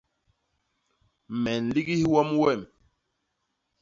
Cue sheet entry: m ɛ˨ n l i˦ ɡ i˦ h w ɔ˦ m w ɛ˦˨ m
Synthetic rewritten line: m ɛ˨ n l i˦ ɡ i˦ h w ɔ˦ m w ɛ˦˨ m